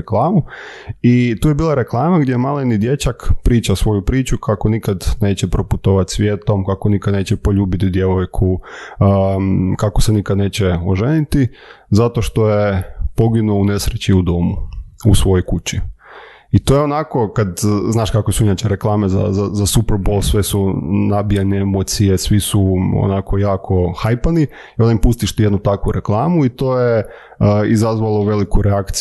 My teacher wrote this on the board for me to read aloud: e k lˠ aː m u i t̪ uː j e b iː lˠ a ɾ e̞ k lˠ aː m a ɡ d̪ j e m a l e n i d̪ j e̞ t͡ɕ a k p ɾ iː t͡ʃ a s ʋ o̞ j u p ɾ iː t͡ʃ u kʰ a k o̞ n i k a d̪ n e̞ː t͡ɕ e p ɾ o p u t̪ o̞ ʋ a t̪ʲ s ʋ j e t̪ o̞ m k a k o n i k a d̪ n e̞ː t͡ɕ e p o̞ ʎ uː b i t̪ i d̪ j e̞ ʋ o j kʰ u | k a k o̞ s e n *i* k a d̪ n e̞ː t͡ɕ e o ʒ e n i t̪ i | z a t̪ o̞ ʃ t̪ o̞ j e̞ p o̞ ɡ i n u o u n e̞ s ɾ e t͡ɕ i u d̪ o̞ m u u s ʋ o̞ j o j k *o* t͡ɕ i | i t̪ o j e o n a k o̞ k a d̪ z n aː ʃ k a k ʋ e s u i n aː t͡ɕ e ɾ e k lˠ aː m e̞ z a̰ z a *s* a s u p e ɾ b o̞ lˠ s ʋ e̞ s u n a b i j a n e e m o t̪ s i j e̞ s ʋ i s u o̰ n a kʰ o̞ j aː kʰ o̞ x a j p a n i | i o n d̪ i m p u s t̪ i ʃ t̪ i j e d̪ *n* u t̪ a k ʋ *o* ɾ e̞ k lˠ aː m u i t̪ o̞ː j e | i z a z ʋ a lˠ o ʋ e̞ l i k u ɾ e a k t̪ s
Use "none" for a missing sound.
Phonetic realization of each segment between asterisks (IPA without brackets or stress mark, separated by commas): i, u, z, n, u